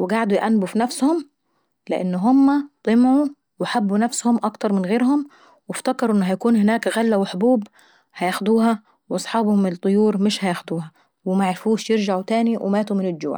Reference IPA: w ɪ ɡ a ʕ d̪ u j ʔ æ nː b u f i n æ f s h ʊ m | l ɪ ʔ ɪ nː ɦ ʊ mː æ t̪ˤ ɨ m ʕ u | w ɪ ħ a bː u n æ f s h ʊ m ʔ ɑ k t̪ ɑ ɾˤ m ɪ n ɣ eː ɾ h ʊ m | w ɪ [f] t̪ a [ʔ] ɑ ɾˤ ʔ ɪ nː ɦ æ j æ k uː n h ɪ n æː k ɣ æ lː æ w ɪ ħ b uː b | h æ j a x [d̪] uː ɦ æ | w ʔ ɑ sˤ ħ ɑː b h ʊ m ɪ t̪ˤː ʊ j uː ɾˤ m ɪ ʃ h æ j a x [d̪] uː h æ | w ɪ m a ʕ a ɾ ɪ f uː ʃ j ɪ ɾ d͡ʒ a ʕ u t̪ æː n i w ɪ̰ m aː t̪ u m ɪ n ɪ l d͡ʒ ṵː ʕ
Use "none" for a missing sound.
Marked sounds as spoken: f, k, d̪, d̪

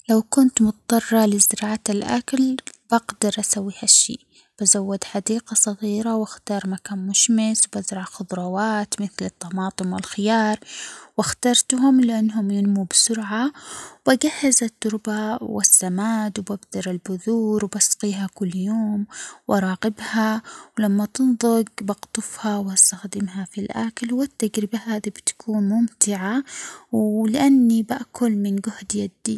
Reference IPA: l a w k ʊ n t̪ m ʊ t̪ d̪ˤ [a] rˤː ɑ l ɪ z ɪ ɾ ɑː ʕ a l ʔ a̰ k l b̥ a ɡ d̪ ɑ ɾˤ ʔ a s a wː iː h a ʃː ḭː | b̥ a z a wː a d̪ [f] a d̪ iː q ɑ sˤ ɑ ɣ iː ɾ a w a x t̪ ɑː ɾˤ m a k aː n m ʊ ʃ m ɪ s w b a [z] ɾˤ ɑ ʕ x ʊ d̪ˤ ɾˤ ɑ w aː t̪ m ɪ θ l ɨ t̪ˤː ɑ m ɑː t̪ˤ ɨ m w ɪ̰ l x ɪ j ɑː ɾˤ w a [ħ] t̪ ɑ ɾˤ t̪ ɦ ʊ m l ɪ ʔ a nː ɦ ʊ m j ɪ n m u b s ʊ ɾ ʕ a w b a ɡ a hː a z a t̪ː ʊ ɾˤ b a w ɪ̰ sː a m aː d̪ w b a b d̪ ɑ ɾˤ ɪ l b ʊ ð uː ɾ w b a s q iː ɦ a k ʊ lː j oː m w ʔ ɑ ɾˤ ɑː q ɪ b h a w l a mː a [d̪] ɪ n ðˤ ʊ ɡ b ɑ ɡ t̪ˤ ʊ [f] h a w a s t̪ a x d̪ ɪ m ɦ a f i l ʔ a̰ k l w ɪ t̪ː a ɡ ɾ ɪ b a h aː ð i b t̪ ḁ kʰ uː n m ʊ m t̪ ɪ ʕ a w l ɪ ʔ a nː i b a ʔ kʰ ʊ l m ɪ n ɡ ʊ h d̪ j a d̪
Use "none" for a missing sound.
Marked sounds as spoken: ɑ, ħ, z, x, t̪, f

